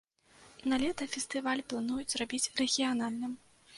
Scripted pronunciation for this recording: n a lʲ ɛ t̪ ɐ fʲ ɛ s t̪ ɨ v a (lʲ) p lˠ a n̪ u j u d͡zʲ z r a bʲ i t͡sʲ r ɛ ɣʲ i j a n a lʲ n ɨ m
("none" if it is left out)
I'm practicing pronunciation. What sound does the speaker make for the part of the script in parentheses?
lʲ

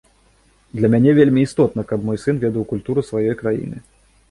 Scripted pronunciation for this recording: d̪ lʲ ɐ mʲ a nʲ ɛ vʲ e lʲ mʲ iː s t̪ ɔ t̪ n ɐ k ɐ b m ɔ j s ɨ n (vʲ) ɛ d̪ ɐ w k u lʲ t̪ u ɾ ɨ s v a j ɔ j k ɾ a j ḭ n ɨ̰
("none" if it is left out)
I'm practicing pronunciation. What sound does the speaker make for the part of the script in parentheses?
vʲ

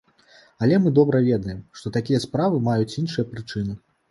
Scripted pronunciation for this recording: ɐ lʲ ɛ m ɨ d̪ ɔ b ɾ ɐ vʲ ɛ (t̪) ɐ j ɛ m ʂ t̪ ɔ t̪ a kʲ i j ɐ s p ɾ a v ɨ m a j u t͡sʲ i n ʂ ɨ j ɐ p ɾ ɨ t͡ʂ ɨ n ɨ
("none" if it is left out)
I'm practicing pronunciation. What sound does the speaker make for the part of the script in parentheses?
d̪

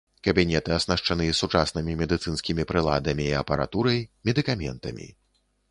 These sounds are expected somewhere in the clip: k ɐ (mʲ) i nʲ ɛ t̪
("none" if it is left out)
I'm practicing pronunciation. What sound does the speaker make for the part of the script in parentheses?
bʲ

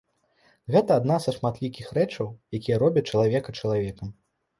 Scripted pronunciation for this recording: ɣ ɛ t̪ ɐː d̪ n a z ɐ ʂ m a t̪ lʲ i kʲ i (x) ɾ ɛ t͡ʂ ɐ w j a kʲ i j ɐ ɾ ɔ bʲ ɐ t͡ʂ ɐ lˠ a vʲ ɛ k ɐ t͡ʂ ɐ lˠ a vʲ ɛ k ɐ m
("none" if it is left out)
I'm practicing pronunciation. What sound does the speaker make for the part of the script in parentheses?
x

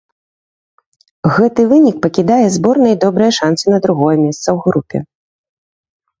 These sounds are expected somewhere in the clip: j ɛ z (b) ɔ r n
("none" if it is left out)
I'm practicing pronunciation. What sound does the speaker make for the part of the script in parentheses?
b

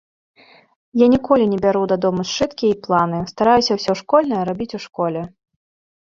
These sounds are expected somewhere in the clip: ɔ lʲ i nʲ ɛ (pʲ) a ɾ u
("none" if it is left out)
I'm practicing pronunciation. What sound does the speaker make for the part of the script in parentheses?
bʲ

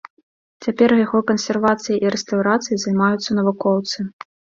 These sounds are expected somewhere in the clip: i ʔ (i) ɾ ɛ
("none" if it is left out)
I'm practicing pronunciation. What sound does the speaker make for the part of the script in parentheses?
i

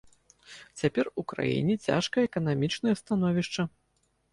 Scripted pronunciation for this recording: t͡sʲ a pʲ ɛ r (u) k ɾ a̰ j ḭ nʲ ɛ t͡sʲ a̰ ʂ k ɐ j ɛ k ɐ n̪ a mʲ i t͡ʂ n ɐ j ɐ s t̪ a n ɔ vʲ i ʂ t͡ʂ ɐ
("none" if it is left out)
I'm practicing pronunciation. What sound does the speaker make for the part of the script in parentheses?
u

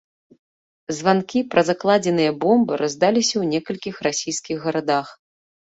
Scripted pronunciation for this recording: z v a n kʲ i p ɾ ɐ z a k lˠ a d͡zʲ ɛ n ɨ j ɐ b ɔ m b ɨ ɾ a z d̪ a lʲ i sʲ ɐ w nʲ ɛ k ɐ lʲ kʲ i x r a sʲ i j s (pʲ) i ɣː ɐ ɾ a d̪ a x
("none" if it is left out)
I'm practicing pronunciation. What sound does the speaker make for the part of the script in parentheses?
kʲ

